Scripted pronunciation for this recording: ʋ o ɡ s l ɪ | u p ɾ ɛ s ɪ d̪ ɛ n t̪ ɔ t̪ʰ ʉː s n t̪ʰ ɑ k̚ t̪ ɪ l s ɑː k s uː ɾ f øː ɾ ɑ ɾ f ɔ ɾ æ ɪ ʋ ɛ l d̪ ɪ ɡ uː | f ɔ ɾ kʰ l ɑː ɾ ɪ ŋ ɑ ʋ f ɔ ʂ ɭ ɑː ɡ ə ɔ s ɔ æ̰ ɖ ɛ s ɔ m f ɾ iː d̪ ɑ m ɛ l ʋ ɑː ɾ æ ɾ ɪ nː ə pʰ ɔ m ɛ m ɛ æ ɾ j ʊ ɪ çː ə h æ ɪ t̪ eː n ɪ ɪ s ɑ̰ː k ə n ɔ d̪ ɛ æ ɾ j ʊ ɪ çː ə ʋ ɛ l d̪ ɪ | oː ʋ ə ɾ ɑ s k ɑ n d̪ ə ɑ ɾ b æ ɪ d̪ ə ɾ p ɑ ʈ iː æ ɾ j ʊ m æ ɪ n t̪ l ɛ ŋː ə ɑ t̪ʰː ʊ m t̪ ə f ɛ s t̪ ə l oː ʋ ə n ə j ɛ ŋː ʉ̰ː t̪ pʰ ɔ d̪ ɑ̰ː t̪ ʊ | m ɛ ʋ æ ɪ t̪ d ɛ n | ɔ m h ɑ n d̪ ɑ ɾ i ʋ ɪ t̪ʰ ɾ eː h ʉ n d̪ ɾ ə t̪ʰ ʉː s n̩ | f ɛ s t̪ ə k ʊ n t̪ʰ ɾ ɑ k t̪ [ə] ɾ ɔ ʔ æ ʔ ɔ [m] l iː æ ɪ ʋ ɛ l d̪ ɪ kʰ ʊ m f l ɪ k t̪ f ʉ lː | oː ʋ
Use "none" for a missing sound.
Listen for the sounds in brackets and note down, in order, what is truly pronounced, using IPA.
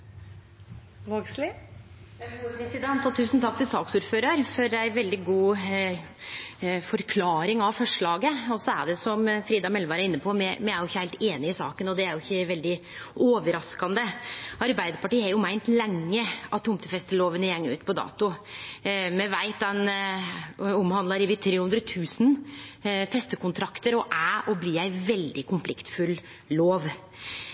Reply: ə, b

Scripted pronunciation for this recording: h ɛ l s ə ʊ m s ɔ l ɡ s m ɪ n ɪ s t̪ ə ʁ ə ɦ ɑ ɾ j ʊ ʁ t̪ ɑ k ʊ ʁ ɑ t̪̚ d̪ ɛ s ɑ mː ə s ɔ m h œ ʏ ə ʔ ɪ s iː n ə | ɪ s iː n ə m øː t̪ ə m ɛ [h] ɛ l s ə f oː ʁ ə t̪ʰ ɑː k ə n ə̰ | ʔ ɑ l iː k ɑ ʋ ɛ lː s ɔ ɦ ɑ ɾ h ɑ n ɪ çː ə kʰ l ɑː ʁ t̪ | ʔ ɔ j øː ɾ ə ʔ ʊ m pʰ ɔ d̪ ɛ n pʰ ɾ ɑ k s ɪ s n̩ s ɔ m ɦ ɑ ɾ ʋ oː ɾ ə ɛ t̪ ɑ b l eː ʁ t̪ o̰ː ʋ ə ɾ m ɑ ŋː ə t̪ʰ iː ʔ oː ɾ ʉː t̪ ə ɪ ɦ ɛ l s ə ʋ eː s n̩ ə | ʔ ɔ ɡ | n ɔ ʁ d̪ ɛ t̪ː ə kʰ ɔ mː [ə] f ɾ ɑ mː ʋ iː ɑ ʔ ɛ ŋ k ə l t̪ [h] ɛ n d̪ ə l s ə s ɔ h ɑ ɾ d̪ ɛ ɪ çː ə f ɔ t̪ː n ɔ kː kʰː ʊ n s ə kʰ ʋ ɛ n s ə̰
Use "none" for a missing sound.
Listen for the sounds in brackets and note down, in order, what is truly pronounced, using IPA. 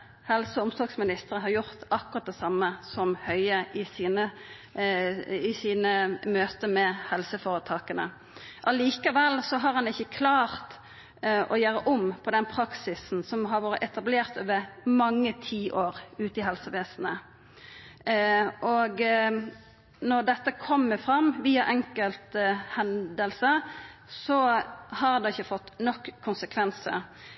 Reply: h, ə, h

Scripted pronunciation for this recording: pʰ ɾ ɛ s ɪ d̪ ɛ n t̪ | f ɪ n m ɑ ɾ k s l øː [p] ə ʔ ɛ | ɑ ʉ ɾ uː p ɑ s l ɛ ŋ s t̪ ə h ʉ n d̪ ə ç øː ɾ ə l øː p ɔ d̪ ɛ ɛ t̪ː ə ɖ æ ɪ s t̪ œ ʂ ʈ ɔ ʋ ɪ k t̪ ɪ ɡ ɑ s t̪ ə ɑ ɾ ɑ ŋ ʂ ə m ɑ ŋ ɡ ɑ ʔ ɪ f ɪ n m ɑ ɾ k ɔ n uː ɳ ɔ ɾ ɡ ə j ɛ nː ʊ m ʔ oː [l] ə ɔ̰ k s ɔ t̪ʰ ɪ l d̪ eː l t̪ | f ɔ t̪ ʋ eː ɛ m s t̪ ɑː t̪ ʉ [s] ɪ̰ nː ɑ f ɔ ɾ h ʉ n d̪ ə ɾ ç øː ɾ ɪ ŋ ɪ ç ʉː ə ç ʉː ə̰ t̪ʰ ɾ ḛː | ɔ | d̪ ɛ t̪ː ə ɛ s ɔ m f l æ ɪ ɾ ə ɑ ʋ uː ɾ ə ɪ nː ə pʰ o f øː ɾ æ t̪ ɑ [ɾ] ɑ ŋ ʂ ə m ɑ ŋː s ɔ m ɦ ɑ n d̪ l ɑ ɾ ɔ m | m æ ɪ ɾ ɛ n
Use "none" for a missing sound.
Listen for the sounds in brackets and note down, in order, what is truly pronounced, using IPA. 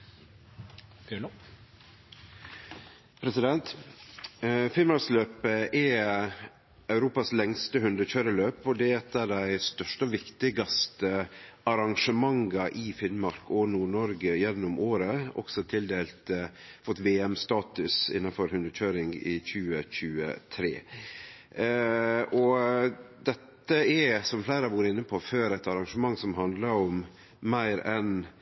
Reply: p, ɾ, s, ɾ

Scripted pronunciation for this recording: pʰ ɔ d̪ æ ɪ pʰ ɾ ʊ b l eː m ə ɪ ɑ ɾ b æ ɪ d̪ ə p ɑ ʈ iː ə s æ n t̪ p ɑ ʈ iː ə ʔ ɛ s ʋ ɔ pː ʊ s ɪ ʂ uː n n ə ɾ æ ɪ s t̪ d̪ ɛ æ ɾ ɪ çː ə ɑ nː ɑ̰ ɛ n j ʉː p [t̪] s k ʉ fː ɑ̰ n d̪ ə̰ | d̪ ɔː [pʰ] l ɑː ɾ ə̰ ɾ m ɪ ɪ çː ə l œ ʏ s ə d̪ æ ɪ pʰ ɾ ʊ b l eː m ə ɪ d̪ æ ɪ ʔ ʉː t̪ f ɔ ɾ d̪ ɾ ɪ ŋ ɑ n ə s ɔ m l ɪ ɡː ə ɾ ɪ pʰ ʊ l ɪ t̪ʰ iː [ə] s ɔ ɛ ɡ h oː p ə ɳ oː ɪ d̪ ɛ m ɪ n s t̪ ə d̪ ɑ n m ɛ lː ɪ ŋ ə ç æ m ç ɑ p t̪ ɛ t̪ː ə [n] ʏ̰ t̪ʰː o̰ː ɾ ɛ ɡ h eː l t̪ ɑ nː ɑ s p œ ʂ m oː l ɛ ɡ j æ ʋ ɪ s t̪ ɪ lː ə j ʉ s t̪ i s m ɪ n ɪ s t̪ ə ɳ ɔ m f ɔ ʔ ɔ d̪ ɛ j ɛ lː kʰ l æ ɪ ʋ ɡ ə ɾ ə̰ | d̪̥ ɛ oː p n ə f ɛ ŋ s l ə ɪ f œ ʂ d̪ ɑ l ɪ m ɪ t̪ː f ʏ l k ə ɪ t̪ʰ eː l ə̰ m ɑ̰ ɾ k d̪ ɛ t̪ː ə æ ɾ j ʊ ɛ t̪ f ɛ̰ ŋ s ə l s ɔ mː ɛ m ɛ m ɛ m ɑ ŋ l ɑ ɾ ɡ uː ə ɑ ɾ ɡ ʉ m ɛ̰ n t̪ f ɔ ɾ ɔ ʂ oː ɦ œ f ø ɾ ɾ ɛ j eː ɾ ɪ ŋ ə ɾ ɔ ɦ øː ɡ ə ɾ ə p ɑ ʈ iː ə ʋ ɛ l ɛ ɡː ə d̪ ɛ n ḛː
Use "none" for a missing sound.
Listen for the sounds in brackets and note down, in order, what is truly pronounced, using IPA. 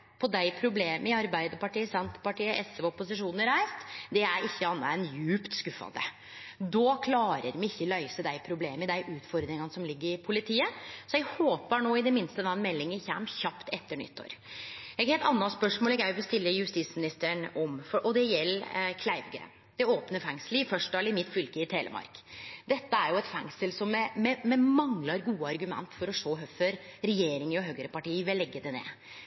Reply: t̪, kʰ, ə, ɳ

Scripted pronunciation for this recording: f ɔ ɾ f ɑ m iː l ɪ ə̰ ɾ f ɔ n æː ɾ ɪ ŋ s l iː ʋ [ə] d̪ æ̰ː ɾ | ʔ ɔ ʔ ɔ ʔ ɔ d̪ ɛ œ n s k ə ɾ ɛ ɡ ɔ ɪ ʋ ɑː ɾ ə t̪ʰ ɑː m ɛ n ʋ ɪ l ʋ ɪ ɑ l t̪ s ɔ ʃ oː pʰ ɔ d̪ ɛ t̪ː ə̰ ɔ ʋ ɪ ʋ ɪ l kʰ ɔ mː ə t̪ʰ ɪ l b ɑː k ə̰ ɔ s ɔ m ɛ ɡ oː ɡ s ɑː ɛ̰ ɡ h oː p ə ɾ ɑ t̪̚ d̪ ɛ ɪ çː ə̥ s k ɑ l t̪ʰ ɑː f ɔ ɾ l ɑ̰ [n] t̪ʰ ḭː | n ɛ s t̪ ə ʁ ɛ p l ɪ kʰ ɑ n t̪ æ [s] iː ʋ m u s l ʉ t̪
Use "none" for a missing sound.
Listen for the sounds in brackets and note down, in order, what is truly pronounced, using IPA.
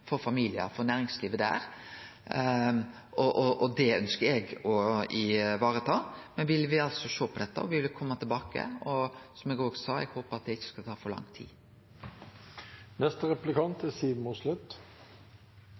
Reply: ə, ŋ, s

